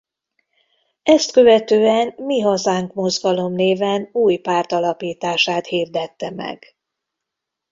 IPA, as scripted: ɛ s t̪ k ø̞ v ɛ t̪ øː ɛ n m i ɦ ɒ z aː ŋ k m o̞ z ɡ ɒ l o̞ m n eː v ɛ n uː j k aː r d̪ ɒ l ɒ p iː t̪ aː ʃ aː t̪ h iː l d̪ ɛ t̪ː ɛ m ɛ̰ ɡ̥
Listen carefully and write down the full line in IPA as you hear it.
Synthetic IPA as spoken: ɛ s t̪ k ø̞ v ɛ t̪ øː ɛ n m i ɦ ɒ z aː ŋ k m o̞ z ɡ ɒ l o̞ m n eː v ɛ n uː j p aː r t̪ ɒ l ɒ p iː t̪ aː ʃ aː t̪ h iː r d̪ ɛ t̪ː ɛ m ɛ̰ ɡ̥